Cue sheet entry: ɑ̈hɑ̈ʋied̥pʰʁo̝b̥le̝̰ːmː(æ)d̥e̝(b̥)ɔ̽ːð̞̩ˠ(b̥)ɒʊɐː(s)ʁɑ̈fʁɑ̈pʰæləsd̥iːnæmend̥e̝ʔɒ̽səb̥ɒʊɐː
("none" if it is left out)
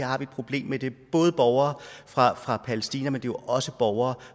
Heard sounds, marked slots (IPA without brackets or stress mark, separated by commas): e, b̥, b̥, f